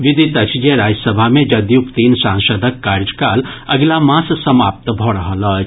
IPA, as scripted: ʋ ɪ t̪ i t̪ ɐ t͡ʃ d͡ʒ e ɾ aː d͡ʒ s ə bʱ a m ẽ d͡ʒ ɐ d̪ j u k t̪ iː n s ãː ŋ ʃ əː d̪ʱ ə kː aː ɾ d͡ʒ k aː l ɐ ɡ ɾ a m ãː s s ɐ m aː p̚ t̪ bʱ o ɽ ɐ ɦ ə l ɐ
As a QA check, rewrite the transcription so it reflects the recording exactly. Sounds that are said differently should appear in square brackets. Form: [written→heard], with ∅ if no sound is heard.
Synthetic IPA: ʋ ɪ [t̪→d̪] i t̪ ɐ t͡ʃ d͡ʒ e ɾ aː d͡ʒ s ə bʱ a m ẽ d͡ʒ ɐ d̪ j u k t̪ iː n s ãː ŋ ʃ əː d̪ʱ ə kː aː ɾ d͡ʒ k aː l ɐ ɡ [ɾ→l] a m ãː s s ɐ m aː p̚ t̪ bʱ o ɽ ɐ ɦ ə l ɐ